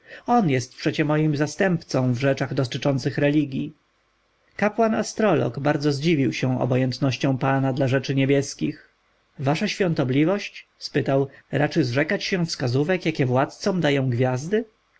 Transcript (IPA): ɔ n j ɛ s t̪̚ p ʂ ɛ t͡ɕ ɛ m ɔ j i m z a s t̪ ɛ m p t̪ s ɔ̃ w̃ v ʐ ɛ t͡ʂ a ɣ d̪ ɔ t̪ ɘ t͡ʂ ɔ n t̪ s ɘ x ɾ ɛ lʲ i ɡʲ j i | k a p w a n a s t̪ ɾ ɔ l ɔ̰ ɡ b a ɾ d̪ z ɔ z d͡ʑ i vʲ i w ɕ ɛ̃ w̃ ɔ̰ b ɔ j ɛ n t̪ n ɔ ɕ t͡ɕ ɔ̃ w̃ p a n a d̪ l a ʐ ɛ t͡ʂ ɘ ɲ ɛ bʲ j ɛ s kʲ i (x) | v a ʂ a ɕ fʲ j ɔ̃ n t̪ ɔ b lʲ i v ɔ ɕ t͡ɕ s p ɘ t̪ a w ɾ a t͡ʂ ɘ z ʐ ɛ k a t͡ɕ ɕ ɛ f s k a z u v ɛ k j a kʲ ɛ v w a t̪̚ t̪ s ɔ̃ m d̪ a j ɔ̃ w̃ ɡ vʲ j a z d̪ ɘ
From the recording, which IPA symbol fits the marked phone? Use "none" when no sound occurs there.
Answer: x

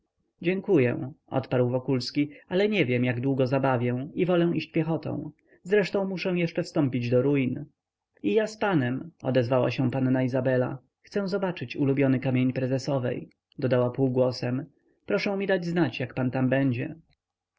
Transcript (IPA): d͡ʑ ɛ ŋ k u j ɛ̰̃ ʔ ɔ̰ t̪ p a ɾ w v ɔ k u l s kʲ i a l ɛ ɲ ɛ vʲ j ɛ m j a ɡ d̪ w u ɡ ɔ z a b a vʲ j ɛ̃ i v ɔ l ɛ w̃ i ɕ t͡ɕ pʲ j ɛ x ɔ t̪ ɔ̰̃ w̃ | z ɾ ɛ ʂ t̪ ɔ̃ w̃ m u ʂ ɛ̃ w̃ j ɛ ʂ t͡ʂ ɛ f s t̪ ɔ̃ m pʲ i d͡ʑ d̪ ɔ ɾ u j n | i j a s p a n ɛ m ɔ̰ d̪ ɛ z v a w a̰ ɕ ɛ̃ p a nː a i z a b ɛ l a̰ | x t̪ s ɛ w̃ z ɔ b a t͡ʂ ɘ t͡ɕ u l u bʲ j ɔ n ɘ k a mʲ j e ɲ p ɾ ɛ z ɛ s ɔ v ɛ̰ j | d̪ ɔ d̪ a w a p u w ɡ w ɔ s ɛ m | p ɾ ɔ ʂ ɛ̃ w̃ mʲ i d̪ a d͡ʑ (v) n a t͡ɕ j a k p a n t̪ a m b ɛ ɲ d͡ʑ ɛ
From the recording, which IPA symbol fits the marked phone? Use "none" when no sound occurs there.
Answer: z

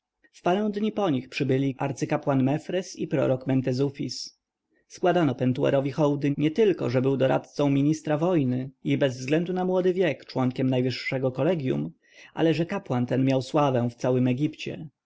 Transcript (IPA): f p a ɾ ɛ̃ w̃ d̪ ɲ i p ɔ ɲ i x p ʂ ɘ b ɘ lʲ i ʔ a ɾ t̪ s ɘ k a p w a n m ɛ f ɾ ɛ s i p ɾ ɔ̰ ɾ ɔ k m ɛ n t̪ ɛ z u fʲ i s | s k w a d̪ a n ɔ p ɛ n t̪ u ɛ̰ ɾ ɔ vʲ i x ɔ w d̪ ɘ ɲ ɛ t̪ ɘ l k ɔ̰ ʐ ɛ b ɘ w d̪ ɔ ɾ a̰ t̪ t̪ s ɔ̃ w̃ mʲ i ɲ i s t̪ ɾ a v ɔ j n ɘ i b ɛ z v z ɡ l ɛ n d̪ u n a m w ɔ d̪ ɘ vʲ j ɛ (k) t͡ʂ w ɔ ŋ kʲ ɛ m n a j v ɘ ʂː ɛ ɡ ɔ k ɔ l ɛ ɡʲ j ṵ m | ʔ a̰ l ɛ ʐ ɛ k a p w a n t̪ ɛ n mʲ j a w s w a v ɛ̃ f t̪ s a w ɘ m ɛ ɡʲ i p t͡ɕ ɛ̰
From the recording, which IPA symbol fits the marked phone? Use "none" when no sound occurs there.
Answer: k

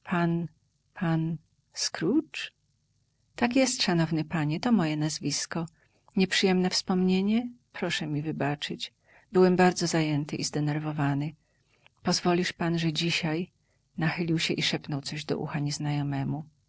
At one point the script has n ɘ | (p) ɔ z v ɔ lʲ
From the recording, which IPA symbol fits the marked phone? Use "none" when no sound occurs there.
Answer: p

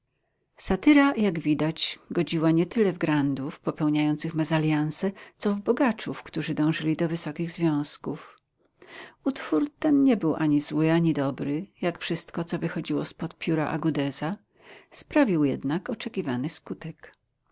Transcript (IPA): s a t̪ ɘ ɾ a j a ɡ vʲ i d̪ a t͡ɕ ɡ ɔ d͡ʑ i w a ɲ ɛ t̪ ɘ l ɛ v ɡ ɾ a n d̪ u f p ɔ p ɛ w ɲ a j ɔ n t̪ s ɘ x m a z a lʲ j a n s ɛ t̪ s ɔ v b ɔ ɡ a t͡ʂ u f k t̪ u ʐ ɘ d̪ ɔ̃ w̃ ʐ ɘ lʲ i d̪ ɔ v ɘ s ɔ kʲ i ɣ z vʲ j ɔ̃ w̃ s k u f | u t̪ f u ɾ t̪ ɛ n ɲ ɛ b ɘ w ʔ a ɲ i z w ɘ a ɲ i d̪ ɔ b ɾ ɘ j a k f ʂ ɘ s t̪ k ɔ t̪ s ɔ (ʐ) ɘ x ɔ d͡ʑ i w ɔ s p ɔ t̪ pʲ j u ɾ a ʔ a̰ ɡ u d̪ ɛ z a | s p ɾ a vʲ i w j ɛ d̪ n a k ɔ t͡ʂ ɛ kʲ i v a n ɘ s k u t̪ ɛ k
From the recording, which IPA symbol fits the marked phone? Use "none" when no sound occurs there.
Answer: v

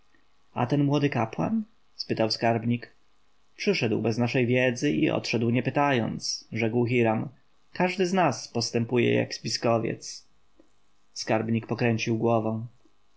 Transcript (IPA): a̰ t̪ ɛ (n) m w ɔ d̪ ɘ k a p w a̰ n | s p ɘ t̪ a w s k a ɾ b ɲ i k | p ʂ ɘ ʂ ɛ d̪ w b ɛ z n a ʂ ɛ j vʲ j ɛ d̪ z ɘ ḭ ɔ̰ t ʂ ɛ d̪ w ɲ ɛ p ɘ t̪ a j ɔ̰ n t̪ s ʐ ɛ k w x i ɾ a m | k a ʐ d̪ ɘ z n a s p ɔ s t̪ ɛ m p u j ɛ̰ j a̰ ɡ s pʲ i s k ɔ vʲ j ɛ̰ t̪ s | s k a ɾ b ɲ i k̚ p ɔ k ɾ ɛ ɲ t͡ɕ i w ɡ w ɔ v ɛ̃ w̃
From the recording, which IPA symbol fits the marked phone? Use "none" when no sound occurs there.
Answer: n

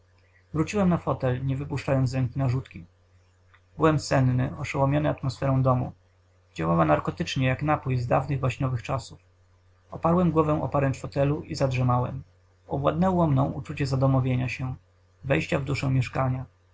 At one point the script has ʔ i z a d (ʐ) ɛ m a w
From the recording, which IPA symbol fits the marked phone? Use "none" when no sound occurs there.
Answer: ʐ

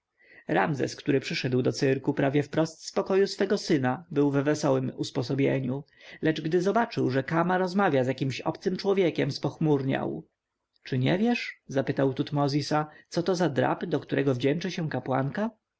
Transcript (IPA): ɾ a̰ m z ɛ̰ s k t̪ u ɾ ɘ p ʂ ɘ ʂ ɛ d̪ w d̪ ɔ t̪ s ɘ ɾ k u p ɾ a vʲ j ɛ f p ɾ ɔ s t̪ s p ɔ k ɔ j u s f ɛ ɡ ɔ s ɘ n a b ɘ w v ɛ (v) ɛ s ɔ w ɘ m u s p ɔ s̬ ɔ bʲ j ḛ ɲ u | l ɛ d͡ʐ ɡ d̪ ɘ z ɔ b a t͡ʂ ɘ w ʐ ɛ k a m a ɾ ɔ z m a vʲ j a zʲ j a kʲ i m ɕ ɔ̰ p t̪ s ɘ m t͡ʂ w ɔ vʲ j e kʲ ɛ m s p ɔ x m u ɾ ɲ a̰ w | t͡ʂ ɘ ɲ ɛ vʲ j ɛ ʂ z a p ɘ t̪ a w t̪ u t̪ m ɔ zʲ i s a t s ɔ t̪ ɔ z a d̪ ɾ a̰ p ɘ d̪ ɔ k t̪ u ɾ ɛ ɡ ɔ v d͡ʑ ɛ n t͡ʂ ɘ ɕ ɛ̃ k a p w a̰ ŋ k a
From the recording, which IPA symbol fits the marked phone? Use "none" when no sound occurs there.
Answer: v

